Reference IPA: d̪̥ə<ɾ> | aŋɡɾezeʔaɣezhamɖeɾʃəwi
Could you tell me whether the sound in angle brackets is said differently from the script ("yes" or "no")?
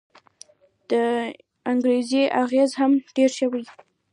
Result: yes